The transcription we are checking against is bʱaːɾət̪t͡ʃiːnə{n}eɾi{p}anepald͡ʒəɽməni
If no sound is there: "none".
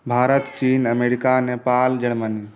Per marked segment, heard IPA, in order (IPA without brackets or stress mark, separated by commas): m, k